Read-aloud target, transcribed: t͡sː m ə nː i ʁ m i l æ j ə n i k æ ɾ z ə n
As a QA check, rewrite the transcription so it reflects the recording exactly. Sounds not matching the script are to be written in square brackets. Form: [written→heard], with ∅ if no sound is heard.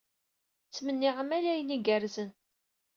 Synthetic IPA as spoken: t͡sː m ə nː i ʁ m [i→æ] l æ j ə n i [k→ɡ] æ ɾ z ə n